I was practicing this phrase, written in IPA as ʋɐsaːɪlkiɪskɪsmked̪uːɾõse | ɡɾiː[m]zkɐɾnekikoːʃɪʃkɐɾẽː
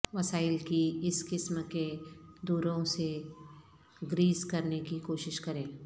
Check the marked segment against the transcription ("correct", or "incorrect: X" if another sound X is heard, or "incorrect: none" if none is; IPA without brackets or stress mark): incorrect: none